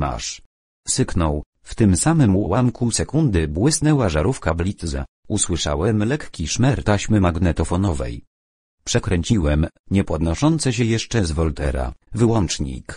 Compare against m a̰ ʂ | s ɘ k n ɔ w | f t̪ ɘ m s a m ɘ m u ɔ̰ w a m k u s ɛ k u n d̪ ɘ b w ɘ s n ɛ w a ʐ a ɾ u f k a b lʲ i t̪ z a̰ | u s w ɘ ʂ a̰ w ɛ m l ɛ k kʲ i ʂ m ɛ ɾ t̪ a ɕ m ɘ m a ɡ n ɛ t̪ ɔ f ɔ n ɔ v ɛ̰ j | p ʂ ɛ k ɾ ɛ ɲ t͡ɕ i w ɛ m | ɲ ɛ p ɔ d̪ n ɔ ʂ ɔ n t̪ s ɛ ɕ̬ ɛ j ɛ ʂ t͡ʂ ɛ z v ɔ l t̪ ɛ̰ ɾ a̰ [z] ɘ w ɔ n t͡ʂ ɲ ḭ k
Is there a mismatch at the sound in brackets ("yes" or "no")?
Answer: yes